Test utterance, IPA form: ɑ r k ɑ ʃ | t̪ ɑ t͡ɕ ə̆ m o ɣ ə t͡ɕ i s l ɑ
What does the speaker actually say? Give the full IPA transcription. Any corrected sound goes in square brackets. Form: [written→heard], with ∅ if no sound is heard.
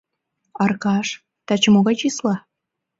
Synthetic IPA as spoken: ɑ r k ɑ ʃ | t̪ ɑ t͡ɕ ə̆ m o ɣ [ə→ɑ] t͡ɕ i s l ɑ